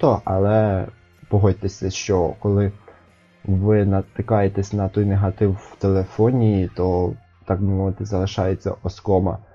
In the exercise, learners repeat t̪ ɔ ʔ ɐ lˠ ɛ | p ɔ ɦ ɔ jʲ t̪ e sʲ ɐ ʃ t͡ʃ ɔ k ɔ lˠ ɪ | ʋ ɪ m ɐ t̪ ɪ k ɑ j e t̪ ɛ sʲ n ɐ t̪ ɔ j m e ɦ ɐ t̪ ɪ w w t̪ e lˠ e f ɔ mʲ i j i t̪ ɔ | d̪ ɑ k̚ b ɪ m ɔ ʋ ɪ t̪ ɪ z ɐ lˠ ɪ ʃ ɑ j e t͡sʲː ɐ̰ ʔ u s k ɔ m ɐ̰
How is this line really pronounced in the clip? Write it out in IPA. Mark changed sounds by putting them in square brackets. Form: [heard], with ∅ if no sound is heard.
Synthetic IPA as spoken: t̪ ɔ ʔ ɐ lˠ ɛ | p ɔ ɦ ɔ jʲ t̪ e sʲ ɐ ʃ t͡ʃ ɔ k ɔ lˠ ɪ | ʋ ɪ [n] ɐ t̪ ɪ k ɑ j e t̪ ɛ sʲ n ɐ t̪ ɔ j [n] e ɦ ɐ t̪ ɪ w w t̪ e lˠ e f ɔ [nʲ] i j i t̪ ɔ | [t̪] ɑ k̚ b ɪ m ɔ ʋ ɪ t̪ ɪ z ɐ lˠ ɪ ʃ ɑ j e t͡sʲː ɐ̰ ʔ [ɔ] s k ɔ m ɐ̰